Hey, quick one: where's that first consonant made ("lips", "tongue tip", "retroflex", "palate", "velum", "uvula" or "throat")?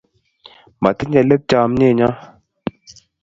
lips